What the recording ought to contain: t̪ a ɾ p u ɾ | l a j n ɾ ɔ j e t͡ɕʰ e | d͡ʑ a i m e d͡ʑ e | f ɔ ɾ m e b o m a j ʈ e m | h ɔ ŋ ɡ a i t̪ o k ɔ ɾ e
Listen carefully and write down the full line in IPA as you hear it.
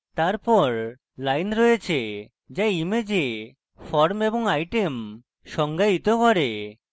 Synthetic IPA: t̪ a ɾ p ɔ ɾ | l a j n ɾ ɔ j e t͡ɕʰ e | d͡ʑ a i m e d͡ʑ e | f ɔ ɾ m e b o ŋ a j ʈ e m | ʃ ɔ ŋ ɡ a i t̪ o k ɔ ɾ e